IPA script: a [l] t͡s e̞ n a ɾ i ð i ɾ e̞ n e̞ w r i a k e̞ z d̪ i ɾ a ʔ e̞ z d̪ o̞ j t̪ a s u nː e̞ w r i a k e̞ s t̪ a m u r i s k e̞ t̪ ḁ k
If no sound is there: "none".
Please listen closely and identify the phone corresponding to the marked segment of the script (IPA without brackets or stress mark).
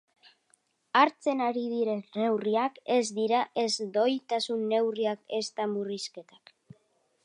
ɾ